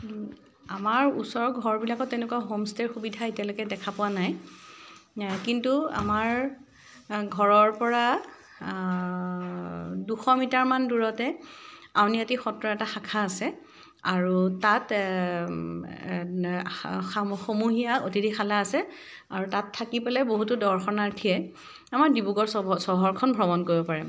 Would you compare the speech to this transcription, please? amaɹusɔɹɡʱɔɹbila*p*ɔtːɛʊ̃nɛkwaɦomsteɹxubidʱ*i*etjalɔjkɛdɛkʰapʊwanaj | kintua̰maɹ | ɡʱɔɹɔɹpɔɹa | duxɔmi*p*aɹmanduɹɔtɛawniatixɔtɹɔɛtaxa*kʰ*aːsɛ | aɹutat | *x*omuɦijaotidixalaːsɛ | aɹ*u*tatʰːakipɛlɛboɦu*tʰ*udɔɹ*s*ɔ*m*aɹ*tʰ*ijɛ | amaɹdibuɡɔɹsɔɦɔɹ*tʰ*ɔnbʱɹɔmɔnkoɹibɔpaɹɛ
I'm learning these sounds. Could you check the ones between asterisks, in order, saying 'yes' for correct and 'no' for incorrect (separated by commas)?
no, no, no, yes, yes, yes, no, no, no, yes, no